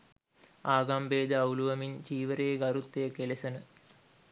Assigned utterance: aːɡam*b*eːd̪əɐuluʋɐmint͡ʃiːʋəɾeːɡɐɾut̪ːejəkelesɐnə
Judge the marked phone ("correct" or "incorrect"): correct